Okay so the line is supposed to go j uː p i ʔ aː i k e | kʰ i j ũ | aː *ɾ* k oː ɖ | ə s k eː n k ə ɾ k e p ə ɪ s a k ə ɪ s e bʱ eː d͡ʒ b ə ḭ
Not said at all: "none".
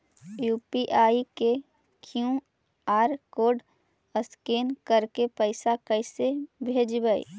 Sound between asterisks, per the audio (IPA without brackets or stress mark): ɾ